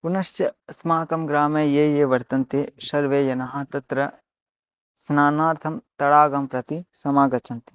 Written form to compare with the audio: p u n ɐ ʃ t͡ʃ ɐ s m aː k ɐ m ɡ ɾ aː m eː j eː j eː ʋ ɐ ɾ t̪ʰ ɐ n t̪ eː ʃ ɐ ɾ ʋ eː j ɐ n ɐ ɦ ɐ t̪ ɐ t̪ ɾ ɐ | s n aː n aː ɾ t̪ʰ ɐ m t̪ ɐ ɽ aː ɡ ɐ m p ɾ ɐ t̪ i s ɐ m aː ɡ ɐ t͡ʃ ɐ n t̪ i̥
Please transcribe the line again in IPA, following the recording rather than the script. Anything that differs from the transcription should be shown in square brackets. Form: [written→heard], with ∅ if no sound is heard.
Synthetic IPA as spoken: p u n ɐ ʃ t͡ʃ ɐ s m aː k ɐ m ɡ ɾ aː m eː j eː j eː ʋ ɐ ɾ [t̪ʰ→t̪] ɐ n t̪ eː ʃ ɐ ɾ ʋ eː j ɐ n ɐ ɦ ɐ t̪ ɐ t̪ ɾ ɐ | s n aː n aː ɾ t̪ʰ ɐ m t̪ ɐ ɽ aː ɡ ɐ m p ɾ ɐ t̪ i s ɐ m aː ɡ ɐ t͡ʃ ɐ n t̪ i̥